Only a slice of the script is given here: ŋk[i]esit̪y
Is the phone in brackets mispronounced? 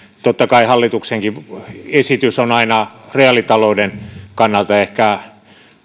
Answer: no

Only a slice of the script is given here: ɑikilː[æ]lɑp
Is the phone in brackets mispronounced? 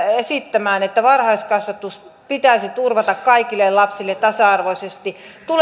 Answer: yes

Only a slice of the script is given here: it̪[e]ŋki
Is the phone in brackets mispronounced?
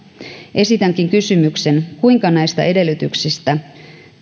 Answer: yes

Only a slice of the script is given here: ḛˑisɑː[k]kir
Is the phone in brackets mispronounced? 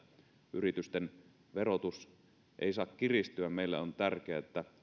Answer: no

